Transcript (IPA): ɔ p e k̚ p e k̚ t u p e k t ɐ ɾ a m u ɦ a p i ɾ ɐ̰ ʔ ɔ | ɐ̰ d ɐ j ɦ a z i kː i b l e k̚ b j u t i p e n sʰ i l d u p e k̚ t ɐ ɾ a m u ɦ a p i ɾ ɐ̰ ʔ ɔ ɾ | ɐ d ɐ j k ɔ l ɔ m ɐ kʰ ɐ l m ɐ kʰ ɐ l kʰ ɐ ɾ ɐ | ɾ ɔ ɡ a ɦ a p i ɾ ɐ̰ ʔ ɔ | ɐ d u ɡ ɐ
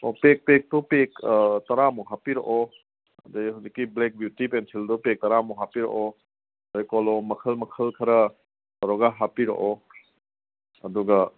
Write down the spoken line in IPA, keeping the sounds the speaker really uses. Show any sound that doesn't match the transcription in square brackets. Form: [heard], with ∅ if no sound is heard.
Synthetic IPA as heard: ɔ p e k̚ p e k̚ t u p e k t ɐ ɾ a m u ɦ a p i ɾ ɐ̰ ʔ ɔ | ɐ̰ d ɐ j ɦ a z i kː i b l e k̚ b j u t i p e n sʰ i l d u p e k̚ t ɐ ɾ a m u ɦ a p i ɾ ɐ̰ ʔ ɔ [∅] | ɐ d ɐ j k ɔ l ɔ m ɐ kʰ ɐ l m ɐ kʰ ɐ l kʰ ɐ ɾ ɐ | ɾ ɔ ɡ a ɦ a p i ɾ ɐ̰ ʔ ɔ | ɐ d u ɡ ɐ